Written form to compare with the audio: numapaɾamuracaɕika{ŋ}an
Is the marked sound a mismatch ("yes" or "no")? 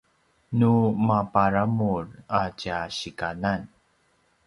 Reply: yes